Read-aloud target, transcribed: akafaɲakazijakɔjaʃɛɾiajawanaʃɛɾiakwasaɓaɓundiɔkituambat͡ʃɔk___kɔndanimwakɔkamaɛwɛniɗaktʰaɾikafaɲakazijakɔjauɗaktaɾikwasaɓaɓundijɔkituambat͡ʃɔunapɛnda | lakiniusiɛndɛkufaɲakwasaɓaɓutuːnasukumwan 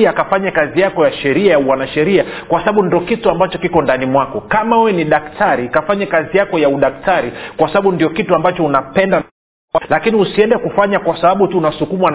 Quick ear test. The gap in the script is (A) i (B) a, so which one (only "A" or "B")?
A